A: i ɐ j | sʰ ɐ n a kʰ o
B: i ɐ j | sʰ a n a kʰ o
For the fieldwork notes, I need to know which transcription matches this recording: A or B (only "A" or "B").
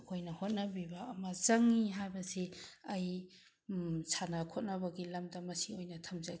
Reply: B